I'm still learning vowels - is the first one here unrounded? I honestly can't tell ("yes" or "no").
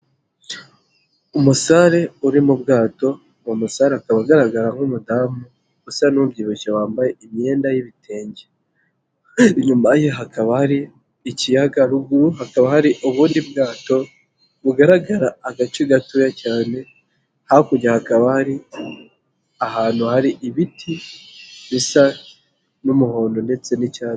no